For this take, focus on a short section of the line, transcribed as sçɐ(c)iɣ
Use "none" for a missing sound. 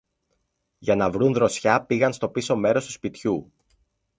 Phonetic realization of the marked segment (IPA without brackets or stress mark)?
p